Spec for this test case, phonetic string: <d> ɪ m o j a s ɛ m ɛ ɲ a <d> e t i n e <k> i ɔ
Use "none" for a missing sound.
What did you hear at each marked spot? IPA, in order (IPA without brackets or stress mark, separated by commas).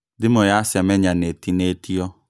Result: d, n, t